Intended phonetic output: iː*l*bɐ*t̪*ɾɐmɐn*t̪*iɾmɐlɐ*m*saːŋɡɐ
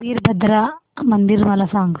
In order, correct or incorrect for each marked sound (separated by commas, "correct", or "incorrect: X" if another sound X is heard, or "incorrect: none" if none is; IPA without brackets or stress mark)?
incorrect: ɾ, incorrect: d̪, incorrect: d̪, incorrect: none